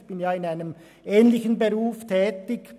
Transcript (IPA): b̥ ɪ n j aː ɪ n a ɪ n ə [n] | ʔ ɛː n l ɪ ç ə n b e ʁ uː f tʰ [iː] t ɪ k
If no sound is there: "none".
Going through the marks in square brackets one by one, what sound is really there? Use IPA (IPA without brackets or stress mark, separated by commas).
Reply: m, ɛː